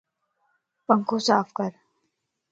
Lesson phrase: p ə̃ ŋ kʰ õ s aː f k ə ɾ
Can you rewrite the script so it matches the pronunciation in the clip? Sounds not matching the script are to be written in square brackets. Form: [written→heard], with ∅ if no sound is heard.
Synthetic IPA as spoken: p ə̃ ŋ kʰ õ s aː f k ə ɾ